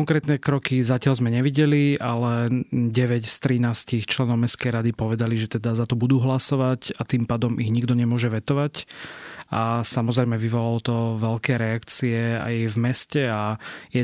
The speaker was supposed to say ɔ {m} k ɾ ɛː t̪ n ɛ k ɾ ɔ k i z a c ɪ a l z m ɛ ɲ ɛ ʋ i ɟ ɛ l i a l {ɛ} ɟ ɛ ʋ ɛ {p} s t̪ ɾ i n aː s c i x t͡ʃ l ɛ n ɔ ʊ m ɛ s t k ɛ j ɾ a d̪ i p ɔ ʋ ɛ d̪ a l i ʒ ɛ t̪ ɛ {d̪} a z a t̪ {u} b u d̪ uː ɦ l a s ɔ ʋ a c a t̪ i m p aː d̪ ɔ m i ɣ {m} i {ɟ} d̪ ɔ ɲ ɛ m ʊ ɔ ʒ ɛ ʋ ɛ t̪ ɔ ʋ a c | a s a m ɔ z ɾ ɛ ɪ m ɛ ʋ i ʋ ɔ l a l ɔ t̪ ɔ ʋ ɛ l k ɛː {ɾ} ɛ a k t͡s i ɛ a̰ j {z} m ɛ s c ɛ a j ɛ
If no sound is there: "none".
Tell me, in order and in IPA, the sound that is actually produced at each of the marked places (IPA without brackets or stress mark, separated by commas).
ŋ, ɛ, c, d̪, ɔ, ɲ, ɡ, ɾ, v